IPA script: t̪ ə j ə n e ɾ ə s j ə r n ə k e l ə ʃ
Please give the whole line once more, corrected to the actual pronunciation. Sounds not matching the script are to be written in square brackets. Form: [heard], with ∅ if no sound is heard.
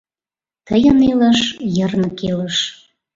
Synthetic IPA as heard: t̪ ə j ə n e [l] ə [ʃ] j ə r n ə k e l ə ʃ